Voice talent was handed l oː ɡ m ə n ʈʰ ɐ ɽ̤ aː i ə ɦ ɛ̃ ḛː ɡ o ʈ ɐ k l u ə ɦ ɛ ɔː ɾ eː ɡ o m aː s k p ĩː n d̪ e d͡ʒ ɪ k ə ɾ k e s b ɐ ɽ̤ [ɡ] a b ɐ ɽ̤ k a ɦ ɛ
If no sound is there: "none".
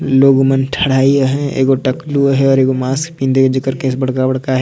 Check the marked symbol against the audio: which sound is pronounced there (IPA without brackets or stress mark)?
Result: k